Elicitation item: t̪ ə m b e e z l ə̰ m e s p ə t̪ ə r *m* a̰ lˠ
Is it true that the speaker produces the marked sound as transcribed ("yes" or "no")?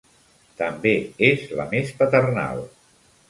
no